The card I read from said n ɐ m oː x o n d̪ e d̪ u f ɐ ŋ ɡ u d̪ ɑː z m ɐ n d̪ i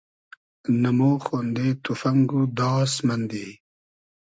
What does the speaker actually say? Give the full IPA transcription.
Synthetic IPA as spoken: n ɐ m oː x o n d̪ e t̪ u f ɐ ŋ ɡ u d̪ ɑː s m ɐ n d̪ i